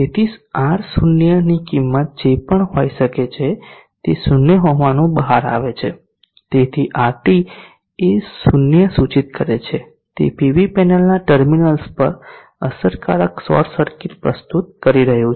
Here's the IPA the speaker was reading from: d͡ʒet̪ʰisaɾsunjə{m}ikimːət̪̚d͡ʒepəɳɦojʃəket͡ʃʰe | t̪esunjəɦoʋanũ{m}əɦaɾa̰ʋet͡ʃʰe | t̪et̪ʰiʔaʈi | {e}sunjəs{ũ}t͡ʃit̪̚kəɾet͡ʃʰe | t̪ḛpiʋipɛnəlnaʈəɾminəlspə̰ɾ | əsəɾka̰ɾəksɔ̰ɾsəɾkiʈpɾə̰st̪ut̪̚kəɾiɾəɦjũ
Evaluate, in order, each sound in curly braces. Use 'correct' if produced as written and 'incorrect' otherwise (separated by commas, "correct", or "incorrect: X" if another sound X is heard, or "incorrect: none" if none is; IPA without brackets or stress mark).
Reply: incorrect: n, incorrect: b, correct, incorrect: u